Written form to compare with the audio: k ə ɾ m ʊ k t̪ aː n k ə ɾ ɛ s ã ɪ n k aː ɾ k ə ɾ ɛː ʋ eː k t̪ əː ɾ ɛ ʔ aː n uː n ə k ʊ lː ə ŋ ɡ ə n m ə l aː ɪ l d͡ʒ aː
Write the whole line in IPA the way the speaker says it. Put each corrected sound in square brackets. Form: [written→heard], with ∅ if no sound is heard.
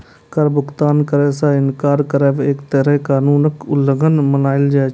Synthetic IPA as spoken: k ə ɾ [m→b] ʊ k t̪ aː n k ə ɾ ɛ s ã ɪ n k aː ɾ k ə ɾ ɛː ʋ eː k t̪ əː ɾ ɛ [ʔ→k] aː n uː n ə k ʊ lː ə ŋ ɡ ə n m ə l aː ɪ l d͡ʒ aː